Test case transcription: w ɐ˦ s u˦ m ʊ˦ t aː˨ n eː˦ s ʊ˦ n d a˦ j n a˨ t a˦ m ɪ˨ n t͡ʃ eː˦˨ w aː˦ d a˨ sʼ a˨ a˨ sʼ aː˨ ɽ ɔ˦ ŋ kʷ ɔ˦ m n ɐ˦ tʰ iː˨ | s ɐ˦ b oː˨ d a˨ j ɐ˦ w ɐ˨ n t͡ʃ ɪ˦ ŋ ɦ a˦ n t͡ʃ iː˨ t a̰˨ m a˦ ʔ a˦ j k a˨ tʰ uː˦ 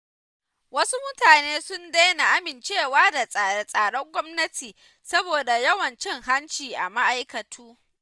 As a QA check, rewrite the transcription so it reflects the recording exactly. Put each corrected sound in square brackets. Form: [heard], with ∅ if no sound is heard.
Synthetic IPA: w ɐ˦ s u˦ m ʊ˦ t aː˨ n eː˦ s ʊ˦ n d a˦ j n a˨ [ʔ] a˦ m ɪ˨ n t͡ʃ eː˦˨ w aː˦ d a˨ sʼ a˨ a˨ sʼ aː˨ ɽ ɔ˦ ŋ [ɡʷ] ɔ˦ m n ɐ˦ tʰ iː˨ | s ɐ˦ b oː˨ d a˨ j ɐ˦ w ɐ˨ n t͡ʃ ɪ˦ ŋ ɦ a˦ n t͡ʃ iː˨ [ʔ] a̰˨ m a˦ ʔ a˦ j k [ɐ˨] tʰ uː˦